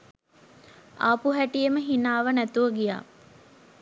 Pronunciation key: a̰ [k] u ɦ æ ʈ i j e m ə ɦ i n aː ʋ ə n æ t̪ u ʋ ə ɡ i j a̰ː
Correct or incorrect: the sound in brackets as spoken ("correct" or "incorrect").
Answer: incorrect